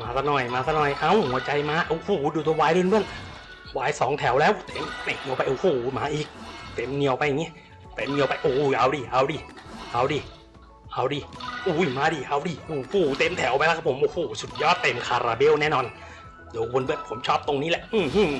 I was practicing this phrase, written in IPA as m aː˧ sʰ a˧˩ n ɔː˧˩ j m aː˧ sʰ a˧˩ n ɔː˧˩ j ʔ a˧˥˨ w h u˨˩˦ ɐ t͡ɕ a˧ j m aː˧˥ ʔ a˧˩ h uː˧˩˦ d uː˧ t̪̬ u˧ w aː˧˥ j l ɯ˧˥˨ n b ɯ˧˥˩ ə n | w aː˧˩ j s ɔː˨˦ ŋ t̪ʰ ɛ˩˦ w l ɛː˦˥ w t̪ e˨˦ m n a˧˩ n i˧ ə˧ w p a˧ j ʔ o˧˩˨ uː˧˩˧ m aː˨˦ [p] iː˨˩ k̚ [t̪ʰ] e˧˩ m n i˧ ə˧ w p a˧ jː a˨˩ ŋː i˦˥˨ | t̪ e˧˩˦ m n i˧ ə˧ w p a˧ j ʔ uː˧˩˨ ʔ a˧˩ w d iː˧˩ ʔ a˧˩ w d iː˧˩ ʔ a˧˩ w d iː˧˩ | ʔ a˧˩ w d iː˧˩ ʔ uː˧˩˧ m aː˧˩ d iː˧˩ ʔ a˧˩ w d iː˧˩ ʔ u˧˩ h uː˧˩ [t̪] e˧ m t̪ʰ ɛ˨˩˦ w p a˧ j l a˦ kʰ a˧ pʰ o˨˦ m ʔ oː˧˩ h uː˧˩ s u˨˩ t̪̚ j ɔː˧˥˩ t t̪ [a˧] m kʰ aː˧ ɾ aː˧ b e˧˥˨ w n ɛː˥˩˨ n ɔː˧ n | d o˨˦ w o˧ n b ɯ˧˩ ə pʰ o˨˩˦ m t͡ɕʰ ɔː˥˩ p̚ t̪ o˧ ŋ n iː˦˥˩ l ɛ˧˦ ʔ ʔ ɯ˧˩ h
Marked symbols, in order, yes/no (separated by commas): no, no, yes, no